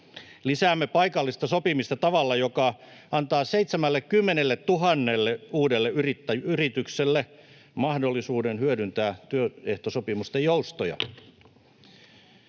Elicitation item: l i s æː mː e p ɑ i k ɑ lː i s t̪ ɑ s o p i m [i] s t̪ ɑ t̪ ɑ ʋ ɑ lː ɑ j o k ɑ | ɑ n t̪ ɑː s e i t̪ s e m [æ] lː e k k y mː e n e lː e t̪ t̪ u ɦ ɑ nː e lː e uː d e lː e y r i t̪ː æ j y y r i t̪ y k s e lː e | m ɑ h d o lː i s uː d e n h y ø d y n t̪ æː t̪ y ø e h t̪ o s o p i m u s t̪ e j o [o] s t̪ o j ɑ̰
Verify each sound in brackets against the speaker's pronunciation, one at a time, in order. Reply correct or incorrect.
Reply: correct, correct, incorrect: u

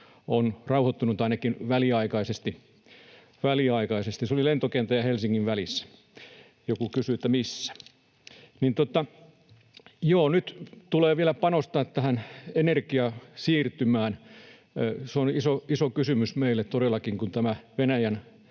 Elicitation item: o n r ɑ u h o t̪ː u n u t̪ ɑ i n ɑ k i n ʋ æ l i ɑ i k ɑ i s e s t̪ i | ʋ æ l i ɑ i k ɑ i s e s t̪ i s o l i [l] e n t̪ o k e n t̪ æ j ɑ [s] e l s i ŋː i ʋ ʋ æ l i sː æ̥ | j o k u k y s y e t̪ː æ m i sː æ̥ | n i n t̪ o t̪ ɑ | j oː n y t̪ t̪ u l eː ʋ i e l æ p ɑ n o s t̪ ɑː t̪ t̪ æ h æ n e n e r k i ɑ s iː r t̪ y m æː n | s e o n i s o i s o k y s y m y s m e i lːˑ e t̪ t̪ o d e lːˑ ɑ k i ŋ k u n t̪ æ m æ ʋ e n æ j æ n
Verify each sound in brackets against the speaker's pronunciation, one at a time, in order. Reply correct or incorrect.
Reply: correct, incorrect: h

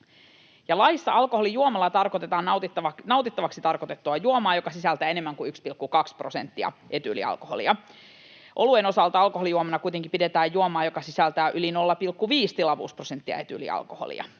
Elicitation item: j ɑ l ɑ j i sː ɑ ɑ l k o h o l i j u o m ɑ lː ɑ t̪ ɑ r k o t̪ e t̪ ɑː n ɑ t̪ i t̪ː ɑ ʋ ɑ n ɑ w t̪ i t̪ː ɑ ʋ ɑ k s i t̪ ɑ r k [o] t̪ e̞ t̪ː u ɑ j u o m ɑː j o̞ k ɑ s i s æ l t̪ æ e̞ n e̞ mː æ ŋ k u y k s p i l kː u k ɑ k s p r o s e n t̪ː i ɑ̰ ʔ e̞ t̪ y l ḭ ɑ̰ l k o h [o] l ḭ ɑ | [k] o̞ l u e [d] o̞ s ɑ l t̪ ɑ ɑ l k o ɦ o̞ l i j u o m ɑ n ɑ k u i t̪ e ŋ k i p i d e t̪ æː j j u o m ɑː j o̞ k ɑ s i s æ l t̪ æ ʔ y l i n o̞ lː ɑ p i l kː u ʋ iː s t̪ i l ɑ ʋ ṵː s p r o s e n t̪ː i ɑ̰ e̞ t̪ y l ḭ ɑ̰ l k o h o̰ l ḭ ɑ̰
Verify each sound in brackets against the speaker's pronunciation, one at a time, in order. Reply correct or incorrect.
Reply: correct, correct, incorrect: ʔ, incorrect: n

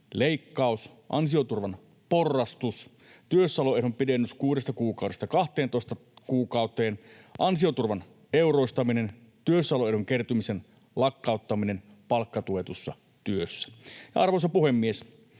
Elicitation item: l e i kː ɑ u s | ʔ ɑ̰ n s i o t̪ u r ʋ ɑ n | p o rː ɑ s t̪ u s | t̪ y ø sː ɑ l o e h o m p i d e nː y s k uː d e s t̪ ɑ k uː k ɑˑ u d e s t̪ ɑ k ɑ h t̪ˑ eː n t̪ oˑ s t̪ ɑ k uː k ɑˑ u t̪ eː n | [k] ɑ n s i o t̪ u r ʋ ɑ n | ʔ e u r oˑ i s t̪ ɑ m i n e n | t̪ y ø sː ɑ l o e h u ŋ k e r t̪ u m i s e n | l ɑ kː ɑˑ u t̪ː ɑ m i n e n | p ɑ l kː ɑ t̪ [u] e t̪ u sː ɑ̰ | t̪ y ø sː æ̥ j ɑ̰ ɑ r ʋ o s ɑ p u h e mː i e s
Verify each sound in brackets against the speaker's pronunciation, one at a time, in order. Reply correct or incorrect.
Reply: incorrect: ʔ, correct

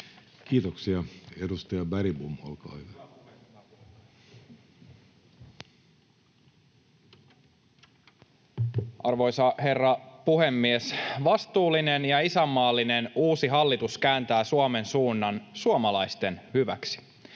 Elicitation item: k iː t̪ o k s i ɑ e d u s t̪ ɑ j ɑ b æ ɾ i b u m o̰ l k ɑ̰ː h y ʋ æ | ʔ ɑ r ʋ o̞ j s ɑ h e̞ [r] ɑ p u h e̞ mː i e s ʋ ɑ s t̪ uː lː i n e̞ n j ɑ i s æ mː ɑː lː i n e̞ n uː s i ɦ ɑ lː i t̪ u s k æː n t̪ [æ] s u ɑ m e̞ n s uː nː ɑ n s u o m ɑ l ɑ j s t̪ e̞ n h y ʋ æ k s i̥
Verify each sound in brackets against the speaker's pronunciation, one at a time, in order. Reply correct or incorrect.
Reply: incorrect: rː, incorrect: æː

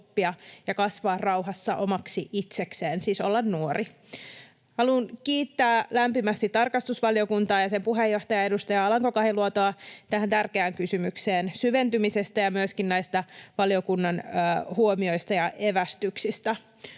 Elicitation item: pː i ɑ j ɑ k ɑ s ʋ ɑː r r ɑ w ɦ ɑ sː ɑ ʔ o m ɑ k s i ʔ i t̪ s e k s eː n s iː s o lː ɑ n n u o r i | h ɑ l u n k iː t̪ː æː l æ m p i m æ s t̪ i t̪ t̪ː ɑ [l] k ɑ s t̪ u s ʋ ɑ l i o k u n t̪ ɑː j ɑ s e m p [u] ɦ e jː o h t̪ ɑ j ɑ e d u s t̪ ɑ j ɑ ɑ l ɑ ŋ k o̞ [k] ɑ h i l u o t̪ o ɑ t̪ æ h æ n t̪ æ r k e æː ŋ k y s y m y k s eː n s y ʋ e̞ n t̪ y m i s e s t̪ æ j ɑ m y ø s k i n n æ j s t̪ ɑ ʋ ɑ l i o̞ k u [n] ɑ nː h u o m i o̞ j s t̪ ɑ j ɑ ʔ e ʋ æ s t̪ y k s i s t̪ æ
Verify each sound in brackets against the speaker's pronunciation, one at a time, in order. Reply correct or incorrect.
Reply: incorrect: r, correct, correct, incorrect: nː

